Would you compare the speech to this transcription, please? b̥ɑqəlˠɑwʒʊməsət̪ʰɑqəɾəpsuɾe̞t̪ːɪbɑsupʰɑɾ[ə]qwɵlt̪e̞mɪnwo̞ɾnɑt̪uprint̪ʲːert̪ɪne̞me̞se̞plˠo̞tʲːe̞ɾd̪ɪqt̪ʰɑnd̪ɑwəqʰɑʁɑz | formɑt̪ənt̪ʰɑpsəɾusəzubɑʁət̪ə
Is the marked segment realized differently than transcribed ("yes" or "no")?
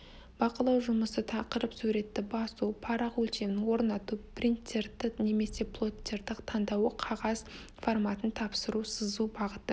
yes